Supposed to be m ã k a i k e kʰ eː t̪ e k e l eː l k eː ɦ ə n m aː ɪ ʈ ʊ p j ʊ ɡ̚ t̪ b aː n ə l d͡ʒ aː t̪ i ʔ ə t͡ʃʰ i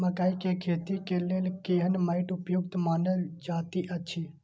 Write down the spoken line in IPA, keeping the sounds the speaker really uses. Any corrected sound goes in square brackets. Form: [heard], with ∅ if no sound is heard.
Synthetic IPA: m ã k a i k e kʰ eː t̪ [i] k e l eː l k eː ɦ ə n m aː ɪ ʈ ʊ p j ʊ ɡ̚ t̪ [m] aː n ə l d͡ʒ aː t̪ i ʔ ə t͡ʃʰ i